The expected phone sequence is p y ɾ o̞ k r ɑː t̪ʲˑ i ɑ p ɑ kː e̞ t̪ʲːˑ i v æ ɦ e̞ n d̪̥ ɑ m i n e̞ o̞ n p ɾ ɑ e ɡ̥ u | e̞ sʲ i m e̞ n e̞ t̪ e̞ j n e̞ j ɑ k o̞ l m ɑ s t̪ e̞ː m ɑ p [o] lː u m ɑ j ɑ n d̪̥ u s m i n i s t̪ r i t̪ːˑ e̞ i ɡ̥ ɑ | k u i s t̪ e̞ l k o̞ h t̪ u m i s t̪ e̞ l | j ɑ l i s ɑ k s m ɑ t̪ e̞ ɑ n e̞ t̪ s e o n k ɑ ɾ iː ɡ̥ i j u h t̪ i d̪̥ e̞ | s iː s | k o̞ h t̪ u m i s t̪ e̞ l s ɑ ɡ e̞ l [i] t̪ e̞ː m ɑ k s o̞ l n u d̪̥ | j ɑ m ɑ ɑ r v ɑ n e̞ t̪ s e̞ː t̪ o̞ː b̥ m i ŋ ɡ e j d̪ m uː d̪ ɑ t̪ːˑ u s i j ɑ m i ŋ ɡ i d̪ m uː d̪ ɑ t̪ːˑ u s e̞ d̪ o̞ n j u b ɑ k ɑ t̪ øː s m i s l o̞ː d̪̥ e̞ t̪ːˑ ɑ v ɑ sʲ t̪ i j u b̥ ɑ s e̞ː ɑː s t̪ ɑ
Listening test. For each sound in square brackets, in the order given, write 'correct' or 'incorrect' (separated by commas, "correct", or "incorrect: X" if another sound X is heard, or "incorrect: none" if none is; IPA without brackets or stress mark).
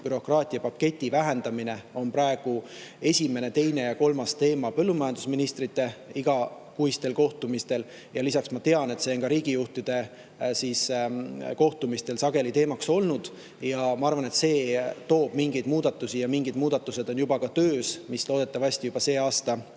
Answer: incorrect: ɤ, correct